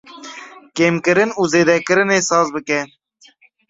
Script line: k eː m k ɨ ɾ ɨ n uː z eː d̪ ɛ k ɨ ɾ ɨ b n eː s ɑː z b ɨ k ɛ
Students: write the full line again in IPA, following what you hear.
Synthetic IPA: k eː m k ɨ ɾ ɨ n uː z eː d̪ ɛ k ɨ ɾ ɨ n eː s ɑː z b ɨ k ɛ